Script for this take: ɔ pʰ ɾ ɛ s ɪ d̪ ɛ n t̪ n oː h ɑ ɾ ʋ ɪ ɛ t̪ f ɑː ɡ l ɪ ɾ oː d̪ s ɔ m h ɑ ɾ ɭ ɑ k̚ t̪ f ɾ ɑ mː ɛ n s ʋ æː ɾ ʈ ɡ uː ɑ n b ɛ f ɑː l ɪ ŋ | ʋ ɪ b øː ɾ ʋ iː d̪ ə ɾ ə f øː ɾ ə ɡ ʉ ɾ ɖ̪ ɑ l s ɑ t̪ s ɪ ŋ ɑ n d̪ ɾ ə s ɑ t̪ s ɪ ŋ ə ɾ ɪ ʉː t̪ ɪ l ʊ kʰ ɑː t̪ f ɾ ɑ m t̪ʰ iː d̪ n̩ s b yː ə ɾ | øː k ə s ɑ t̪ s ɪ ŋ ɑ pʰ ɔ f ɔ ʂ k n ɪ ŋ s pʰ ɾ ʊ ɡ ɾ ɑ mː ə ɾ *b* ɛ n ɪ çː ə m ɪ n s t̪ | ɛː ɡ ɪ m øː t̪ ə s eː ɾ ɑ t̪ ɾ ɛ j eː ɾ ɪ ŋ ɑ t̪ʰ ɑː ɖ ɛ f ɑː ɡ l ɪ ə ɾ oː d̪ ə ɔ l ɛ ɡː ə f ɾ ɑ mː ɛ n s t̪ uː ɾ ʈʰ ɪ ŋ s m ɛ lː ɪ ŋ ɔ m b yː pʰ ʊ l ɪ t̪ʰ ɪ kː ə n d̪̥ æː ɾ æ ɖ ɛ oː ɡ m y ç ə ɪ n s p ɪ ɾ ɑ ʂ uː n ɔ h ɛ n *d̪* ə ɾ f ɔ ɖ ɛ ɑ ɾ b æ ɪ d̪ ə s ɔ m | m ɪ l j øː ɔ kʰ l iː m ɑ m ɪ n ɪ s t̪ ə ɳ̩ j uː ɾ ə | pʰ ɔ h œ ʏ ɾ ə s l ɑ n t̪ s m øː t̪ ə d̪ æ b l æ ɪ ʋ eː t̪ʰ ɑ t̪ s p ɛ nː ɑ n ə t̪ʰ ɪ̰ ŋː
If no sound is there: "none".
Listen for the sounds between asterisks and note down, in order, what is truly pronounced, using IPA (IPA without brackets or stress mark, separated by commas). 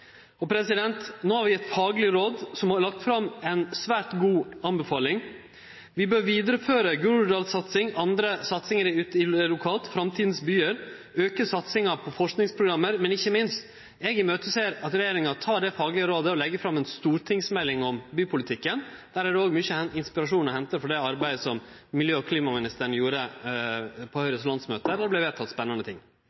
m, t̪